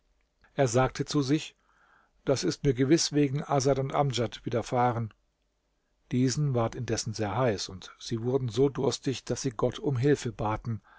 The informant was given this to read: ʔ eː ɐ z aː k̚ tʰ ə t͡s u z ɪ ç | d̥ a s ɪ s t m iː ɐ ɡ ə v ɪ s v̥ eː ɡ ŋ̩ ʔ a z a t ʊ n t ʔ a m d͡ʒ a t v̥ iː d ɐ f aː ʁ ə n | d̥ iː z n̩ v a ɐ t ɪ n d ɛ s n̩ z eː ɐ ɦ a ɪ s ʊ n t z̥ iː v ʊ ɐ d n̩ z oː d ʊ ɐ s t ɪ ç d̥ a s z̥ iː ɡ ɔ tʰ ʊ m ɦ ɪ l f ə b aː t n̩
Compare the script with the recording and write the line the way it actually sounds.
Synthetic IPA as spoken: ʔ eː ɐ z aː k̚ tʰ ə t͡s u z ɪ ç | d̥ a s ɪ s t m iː ɐ ɡ ə v ɪ s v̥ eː ɡ ŋ̩ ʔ a z a t ʊ n t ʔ a m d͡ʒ a t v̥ iː d ɐ f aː ʁ ə n | d̥ iː z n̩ v a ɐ t ɪ n d ɛ s n̩ z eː ɐ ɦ a ɪ s ʊ n t z̥ iː v ʊ ɐ d n̩ z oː d ʊ ɐ s t ɪ ç d̥ a s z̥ iː ɡ ɔ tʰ ʊ m ɦ ɪ l f ə b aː t n̩